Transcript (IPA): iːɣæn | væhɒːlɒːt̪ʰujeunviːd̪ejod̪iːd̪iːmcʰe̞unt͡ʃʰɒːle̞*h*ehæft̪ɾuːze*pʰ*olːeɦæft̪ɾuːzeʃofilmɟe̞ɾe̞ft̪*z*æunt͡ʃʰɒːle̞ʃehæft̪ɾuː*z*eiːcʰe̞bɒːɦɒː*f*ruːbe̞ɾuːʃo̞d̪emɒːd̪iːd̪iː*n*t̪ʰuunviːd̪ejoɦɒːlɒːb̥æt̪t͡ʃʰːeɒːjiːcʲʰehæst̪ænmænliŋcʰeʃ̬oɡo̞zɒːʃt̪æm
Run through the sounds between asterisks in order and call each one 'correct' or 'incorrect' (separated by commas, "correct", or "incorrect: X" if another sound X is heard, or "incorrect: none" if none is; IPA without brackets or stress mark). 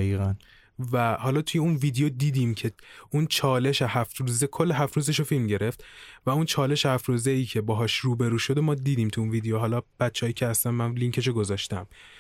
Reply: incorrect: ʃ, incorrect: kʰ, incorrect: v, correct, incorrect: ʃ, incorrect: m